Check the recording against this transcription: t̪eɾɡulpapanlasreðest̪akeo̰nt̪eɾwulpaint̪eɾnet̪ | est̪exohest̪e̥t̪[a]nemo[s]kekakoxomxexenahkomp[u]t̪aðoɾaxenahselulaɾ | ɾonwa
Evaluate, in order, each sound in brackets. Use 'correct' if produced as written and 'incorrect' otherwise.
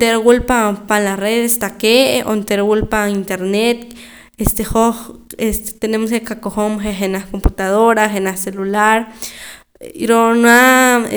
incorrect: e, correct, correct

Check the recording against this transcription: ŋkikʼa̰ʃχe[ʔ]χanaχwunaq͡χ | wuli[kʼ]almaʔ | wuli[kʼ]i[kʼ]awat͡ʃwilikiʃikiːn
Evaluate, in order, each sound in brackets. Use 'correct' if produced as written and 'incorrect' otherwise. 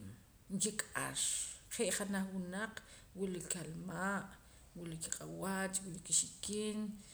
correct, incorrect: k, incorrect: k, incorrect: qʼ

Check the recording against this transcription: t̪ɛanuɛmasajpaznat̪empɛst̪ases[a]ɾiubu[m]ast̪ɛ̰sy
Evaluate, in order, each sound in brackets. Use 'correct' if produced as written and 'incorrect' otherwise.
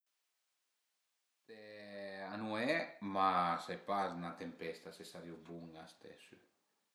correct, incorrect: ŋ

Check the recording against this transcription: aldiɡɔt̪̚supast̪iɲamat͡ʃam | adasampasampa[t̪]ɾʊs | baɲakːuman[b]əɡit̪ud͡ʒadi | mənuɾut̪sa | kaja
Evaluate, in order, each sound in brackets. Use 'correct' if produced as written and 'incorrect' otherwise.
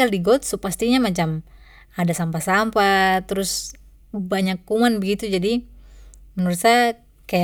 correct, correct

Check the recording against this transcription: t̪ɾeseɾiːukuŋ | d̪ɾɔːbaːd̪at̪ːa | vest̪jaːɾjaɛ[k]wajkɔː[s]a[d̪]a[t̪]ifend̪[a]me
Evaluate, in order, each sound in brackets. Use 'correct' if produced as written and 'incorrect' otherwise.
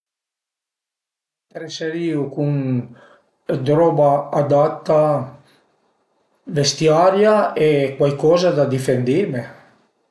correct, incorrect: z, correct, incorrect: d̪, incorrect: i

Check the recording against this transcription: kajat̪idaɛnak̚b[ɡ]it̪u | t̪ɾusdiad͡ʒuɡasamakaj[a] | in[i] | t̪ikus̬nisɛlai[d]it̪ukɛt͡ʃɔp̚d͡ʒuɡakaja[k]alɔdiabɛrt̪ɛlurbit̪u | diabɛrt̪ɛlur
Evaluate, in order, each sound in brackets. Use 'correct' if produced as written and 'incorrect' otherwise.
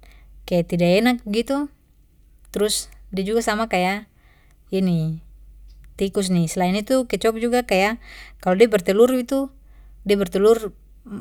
correct, correct, correct, incorrect: n, correct

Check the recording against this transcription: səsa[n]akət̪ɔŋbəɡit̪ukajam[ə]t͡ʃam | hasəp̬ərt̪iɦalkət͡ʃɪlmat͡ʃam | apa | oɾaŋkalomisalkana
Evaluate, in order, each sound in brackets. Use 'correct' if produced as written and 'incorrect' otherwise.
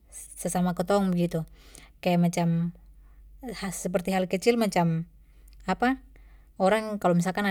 incorrect: m, incorrect: a

